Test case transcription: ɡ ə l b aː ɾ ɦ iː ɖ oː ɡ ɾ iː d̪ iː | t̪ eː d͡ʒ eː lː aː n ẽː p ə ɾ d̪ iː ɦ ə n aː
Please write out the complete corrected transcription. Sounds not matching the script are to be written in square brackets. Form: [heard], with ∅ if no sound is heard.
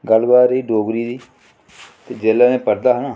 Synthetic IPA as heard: ɡ ə l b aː ɾ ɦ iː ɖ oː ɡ ɾ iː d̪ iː | t̪ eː d͡ʒ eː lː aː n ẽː p ə ɾ d̪ [aː] ɦ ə n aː